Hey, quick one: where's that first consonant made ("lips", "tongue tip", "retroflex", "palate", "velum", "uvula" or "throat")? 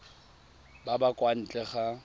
lips